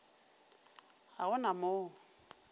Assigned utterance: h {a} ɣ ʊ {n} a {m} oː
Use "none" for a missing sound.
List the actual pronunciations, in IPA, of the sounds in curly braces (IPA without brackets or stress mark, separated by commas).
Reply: a, n, m